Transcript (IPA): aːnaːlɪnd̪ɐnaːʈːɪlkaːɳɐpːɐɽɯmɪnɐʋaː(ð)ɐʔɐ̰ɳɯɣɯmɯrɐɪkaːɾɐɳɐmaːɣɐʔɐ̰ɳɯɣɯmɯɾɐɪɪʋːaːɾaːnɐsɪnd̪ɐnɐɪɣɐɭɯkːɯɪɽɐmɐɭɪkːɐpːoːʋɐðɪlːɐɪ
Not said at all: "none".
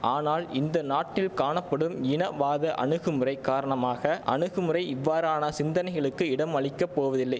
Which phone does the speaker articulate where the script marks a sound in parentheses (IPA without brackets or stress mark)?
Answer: ð